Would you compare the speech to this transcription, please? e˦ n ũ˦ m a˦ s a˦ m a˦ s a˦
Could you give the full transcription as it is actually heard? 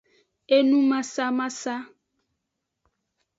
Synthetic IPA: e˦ n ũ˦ m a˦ s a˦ m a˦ s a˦